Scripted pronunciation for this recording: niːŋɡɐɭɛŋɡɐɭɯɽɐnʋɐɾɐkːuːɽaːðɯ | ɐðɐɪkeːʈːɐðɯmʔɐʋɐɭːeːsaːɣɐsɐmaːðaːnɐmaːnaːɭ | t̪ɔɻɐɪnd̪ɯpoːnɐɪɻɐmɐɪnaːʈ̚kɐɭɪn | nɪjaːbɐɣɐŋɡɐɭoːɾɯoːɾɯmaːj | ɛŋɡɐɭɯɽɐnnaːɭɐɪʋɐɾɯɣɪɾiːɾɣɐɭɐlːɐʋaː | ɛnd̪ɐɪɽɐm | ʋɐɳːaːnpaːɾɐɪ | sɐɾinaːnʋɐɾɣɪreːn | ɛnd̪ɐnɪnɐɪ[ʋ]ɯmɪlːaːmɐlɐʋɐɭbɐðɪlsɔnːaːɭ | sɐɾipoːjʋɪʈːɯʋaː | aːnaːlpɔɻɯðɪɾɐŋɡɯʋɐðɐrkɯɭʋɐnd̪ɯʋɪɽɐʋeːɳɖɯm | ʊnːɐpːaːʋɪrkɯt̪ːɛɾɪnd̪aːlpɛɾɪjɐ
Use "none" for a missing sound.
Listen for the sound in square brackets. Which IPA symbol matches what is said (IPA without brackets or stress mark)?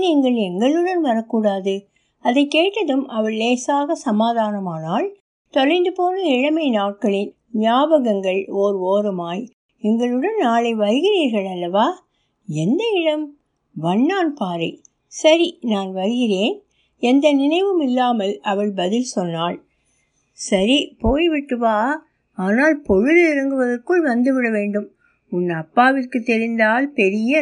ʋ